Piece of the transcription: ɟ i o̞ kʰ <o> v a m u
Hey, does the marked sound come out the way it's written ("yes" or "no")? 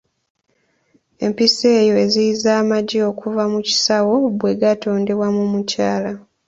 no